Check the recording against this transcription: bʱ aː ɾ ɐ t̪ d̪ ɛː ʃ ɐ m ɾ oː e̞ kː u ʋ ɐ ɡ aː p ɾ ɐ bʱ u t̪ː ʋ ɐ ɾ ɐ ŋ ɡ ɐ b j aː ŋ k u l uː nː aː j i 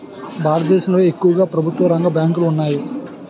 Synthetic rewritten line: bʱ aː ɾ ɐ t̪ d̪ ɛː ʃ ɐ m l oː e̞ kː u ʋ ɐ ɡ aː p ɾ ɐ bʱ u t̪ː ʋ ɐ ɾ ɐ ŋ ɡ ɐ b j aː ŋ k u l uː nː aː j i